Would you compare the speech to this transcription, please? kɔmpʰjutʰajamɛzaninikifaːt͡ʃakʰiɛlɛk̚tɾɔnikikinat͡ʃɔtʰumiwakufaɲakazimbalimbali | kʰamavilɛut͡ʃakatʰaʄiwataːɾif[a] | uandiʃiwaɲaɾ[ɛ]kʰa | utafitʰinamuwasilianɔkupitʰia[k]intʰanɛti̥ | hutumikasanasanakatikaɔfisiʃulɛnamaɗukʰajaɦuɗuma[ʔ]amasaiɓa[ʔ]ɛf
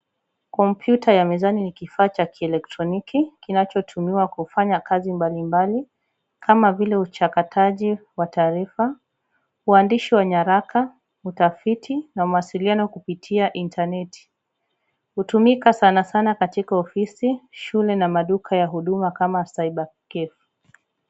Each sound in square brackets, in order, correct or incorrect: correct, incorrect: a, incorrect: ʔ, incorrect: k, incorrect: k

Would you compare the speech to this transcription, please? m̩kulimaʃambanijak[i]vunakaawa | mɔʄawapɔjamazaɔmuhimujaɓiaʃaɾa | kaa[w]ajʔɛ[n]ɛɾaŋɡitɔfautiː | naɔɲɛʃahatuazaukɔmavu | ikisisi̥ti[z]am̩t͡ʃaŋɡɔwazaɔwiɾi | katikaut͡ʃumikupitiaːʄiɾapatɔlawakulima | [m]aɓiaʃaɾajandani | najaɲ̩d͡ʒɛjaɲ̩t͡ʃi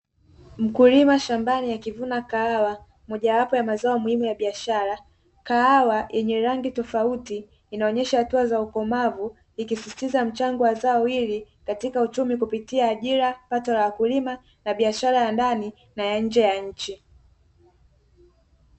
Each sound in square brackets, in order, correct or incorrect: correct, correct, incorrect: ɲ, correct, incorrect: n

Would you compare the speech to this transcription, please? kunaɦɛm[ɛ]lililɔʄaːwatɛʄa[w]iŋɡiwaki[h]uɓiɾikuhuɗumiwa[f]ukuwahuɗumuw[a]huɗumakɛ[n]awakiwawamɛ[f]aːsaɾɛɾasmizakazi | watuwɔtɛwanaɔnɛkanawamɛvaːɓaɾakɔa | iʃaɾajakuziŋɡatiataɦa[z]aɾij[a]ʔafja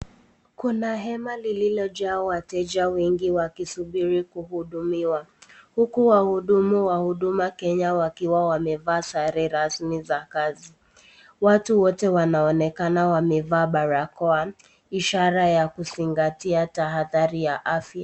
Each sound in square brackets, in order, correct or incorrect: incorrect: a, correct, incorrect: s, incorrect: h, correct, incorrect: ɲ, incorrect: v, incorrect: ð, correct

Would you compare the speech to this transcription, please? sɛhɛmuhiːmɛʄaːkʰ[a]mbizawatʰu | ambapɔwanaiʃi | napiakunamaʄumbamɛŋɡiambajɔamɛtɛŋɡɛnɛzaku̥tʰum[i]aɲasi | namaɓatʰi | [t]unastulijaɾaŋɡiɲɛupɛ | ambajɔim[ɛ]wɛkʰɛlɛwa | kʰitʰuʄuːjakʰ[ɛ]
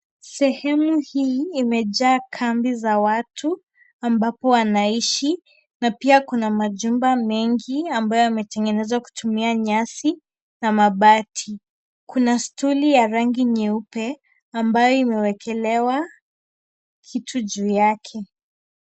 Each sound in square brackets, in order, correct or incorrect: correct, correct, incorrect: k, correct, correct

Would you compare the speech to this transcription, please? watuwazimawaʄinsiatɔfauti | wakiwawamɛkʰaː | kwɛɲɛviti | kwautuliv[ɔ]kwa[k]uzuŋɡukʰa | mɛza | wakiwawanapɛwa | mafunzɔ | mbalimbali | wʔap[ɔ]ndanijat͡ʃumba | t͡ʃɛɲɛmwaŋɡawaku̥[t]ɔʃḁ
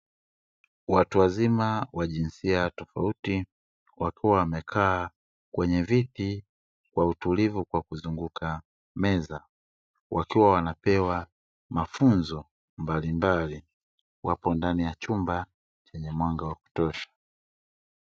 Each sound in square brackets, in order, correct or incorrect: incorrect: u, correct, correct, correct

